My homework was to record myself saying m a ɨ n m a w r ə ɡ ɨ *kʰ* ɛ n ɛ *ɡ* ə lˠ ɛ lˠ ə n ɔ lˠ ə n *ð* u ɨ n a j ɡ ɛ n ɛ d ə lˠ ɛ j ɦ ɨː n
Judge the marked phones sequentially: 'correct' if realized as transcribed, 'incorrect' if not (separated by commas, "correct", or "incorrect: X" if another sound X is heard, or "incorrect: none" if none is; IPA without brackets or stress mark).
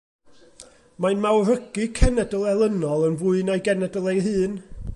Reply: correct, incorrect: d, incorrect: v